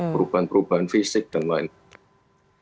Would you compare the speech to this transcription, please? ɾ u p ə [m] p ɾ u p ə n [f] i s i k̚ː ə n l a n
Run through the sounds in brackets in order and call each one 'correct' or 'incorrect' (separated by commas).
incorrect, correct